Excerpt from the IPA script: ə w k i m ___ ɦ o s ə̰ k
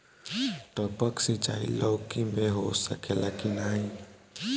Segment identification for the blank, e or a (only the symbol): e